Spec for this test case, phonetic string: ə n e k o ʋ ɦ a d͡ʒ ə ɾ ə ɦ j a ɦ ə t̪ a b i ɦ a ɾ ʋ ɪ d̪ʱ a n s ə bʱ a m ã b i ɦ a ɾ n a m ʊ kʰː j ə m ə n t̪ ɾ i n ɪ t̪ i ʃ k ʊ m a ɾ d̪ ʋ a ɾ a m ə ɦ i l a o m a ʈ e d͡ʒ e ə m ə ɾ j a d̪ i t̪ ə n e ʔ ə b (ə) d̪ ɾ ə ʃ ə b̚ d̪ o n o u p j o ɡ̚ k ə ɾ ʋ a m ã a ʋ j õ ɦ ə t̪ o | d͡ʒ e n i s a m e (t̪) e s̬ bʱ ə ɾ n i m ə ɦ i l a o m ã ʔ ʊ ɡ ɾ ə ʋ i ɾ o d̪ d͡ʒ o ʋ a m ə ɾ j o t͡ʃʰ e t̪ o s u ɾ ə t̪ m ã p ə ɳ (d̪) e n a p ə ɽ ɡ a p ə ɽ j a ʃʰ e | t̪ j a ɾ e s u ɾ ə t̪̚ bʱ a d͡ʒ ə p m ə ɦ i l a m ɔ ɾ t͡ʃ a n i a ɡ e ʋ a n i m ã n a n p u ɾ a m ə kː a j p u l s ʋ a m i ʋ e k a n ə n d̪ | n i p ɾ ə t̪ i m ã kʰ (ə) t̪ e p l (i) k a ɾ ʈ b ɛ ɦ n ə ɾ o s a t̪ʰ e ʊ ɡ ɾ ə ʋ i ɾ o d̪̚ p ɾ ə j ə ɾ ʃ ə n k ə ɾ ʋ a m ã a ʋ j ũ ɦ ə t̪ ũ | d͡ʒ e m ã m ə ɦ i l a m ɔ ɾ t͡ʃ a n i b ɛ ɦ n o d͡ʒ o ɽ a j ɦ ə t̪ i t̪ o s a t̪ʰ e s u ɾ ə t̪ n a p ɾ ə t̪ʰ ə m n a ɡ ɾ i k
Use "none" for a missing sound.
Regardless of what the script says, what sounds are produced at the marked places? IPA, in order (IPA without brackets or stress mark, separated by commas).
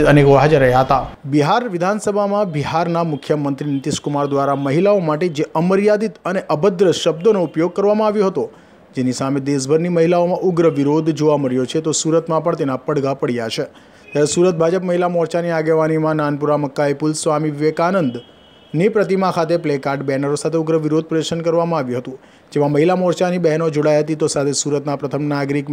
ə, d̪, t̪, a, e